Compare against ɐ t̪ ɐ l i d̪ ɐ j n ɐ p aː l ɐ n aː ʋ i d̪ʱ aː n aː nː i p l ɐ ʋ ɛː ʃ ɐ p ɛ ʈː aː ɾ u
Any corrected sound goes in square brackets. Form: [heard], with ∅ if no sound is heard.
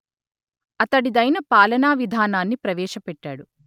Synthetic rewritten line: ɐ t̪ ɐ [ɽ] i d̪ ɐ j n ɐ p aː l ɐ n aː ʋ i d̪ʱ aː n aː nː i p [ɾ] ɐ ʋ ɛː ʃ ɐ p ɛ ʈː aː [ɽ] u